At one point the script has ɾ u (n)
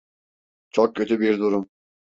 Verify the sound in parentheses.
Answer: incorrect: m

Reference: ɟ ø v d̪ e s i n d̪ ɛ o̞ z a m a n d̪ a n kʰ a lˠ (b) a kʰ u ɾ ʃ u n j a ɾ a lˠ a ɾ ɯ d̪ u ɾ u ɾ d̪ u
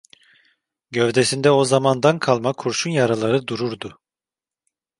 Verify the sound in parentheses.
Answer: incorrect: m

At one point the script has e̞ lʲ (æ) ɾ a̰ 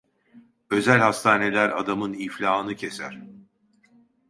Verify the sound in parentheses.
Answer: correct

